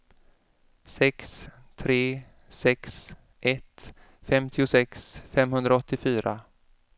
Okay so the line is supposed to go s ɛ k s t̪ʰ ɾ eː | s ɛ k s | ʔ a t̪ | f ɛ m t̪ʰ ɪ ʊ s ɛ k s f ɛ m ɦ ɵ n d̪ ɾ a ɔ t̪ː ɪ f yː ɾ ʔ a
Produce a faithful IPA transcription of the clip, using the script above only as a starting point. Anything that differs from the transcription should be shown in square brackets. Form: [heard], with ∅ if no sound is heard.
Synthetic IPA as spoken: s ɛ k s t̪ʰ ɾ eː | s ɛ k s | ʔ [ɛ] t̪ | f ɛ m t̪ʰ ɪ ʊ s ɛ k s f ɛ m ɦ ɵ n d̪ ɾ a ɔ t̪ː ɪ f yː ɾ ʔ a